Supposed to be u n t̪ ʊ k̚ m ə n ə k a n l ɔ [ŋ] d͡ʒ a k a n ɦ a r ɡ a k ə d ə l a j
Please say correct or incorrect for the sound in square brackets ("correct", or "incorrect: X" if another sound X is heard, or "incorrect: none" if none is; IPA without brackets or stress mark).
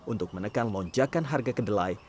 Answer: incorrect: ɲ